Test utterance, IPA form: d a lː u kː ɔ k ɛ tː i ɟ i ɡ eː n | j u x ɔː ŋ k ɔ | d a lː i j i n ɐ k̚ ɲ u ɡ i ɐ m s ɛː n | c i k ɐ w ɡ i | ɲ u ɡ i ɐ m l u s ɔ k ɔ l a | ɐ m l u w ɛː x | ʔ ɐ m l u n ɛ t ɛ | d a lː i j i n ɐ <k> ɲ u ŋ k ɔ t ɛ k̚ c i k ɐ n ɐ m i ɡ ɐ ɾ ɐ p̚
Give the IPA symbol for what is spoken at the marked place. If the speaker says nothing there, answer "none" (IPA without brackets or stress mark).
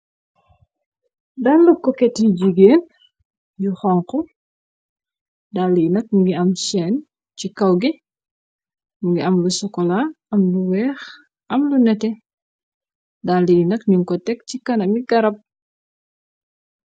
k